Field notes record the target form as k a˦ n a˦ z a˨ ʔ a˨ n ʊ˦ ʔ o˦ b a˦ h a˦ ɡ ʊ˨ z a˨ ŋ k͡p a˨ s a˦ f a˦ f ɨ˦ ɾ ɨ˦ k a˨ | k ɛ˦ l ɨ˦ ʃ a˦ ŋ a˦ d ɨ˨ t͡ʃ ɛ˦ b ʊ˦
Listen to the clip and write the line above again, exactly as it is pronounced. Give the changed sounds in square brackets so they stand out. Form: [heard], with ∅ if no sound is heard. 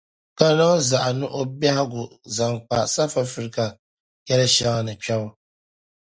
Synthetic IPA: k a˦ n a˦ z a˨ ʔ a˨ n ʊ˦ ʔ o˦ b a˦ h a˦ ɡ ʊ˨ z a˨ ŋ k͡p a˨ s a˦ f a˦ f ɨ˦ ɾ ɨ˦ k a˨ | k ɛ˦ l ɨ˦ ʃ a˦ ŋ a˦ [n] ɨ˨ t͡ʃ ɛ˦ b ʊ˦